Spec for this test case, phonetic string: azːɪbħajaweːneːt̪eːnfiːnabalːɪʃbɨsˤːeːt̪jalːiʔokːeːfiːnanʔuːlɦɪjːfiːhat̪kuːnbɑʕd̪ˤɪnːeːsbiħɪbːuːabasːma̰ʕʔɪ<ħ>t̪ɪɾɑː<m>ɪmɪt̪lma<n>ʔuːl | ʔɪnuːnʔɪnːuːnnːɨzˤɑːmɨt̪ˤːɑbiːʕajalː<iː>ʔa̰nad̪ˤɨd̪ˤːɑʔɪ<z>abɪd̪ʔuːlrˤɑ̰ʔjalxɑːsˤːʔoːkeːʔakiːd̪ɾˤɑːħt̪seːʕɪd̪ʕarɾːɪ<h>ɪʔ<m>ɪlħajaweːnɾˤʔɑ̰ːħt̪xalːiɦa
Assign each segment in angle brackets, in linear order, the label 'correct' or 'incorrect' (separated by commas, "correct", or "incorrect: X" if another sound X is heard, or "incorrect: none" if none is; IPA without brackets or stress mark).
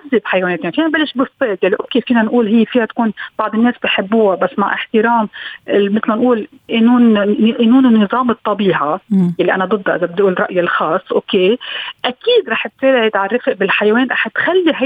correct, correct, correct, incorrect: i, correct, incorrect: f, incorrect: b